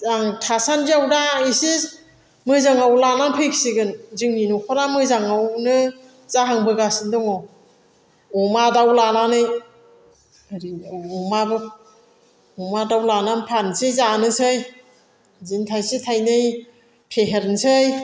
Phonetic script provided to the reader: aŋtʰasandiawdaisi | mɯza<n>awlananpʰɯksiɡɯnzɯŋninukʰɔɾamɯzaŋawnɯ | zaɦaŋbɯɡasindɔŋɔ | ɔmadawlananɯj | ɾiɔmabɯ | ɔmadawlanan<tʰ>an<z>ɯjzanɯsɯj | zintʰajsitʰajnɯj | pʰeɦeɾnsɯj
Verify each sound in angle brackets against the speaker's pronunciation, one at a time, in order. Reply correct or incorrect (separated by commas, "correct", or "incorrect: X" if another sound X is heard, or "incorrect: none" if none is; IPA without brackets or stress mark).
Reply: incorrect: ŋ, incorrect: pʰ, incorrect: s